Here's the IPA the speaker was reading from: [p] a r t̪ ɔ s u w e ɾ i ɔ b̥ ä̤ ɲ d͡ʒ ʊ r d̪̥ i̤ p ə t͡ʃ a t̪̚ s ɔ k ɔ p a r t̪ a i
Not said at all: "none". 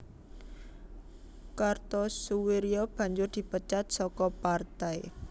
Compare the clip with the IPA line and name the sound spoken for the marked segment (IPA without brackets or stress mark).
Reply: k